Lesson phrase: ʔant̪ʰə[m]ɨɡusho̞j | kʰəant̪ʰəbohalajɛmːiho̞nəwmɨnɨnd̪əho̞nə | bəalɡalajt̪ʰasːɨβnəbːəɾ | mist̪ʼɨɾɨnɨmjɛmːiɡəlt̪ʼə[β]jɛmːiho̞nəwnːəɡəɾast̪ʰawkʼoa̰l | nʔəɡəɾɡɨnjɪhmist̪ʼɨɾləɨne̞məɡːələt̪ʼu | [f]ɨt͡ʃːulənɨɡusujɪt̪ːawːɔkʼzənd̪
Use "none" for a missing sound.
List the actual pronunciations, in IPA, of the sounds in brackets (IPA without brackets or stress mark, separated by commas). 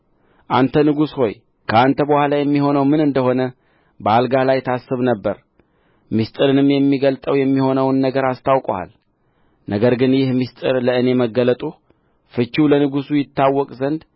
n, w, f